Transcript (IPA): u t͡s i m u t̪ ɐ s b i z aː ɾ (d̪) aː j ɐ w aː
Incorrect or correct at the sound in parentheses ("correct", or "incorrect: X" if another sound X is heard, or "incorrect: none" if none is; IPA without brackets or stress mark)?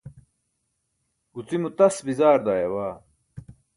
correct